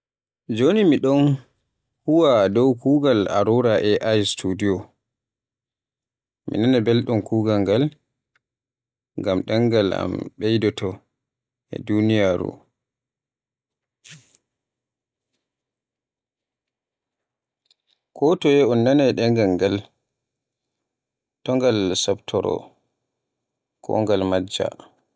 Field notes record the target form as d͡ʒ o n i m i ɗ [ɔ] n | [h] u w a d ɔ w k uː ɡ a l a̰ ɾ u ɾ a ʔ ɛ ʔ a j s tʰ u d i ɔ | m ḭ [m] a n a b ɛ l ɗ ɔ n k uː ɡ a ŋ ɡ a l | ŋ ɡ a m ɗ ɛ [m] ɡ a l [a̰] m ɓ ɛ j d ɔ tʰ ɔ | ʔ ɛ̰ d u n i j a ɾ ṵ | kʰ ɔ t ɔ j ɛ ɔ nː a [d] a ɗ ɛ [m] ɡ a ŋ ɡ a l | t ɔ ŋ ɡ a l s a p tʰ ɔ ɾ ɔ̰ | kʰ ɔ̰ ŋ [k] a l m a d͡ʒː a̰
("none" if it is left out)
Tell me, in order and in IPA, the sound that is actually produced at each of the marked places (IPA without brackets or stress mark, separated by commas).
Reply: ɔ, h, n, ŋ, a̰, n, ŋ, ɡ